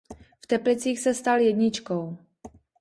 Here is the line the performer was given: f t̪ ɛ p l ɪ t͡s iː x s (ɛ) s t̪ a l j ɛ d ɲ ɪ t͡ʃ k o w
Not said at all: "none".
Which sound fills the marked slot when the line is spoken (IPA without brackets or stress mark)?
ɛ